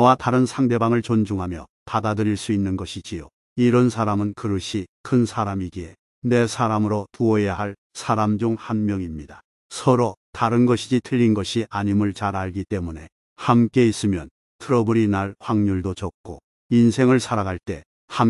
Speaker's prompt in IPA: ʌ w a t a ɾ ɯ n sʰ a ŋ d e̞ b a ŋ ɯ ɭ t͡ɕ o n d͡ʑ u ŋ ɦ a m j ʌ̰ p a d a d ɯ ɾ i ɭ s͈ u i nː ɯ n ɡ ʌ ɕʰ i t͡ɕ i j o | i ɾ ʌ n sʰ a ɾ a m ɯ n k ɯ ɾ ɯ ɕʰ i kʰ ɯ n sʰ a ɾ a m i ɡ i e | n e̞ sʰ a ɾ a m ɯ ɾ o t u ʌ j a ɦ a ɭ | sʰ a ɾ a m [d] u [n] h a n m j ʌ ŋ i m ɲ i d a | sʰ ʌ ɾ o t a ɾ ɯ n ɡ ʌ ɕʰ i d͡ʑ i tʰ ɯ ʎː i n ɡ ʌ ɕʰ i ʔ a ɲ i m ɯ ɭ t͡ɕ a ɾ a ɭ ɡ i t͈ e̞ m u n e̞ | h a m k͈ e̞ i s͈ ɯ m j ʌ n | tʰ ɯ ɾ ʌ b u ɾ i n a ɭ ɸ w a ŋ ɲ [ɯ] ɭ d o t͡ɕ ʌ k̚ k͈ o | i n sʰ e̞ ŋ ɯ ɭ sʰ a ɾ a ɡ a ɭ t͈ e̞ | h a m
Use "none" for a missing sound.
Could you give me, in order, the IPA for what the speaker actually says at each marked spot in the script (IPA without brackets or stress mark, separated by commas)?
d͡ʑ, ŋ, u